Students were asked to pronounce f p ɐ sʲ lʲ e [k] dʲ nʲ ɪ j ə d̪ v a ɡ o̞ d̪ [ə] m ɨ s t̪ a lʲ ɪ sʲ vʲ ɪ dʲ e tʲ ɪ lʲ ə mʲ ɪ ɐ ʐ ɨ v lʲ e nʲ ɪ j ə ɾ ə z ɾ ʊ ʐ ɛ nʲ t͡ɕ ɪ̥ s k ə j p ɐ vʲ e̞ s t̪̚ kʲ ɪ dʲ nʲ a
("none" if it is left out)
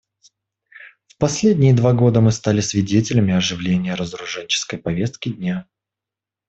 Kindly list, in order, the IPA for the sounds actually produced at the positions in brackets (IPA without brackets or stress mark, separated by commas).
none, ə